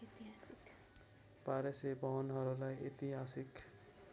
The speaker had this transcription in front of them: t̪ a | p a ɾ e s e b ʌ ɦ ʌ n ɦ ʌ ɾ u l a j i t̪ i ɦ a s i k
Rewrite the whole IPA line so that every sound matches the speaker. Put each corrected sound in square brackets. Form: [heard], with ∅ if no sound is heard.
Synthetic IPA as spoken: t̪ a | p a ɾ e s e b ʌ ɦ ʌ n ɦ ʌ ɾ u l a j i t̪ i ɦ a s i k